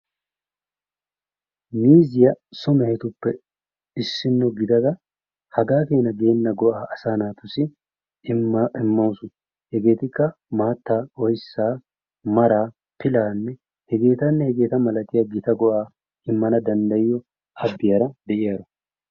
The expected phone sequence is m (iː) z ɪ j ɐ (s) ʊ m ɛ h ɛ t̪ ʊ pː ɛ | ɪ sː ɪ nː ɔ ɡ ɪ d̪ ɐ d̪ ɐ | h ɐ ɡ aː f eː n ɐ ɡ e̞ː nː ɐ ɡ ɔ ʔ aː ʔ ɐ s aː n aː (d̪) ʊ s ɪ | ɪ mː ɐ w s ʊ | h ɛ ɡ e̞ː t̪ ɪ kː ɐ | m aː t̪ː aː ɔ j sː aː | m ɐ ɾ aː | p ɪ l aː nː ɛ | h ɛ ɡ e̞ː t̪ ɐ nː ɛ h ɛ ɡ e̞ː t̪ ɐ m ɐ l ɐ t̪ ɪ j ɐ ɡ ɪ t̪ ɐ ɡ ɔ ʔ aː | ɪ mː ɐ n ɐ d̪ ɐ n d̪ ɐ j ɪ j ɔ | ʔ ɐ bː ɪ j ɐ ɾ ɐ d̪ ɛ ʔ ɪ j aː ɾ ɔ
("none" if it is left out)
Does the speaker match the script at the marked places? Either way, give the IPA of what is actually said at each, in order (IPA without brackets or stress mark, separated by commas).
iː, s, t̪